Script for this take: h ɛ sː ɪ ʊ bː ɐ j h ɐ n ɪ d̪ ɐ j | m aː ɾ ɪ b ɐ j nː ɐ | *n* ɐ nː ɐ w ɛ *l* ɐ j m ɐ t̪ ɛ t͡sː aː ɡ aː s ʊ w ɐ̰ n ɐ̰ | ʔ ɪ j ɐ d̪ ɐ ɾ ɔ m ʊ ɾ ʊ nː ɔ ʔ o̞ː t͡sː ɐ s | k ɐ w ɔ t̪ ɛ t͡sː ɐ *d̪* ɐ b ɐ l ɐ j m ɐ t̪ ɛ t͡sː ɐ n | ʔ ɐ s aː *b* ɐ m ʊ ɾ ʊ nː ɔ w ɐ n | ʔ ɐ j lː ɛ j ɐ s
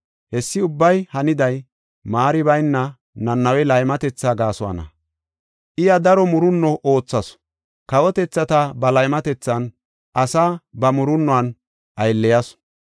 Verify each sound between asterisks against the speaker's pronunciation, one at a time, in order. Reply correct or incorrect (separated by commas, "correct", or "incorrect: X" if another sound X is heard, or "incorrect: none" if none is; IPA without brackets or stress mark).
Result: correct, correct, incorrect: t̪, correct